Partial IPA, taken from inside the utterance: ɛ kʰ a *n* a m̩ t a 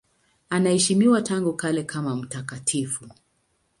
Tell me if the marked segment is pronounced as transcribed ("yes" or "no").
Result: no